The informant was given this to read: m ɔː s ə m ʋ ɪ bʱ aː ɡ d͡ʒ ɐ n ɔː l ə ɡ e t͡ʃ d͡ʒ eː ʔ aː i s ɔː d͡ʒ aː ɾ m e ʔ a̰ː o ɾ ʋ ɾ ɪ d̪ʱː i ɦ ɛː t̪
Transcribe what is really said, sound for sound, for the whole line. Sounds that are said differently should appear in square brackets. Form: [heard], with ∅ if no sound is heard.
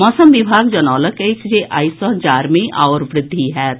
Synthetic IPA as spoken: m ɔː s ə m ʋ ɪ bʱ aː ɡ d͡ʒ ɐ n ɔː l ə [k] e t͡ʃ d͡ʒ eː ʔ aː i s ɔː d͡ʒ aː ɾ m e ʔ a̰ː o ɾ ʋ ɾ ɪ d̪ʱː i ɦ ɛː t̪